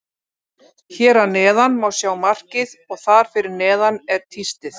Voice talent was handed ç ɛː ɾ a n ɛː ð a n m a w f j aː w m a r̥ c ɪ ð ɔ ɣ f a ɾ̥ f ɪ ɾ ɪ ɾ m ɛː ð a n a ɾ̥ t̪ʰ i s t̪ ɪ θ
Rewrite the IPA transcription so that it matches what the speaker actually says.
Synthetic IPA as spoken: ç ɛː ɾ a n ɛː ð a n m a w s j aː w m a r̥ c ɪ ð ɔ ɣ θ a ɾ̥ f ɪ ɾ ɪ ɾ n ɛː ð a n ɛ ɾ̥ t̪ʰ i s t̪ ɪ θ